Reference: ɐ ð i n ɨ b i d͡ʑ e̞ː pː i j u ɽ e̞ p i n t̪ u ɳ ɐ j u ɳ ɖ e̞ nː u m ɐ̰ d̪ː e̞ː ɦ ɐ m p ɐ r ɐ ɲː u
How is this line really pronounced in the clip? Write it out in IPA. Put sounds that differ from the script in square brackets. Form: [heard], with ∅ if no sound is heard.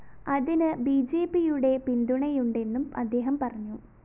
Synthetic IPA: ɐ ð i n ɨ b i d͡ʑ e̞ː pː i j u ɽ e̞ p i n [d̪] u ɳ ɐ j u ɳ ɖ e̞ nː u m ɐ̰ d̪ː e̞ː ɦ ɐ m p ɐ r ɐ ɲː u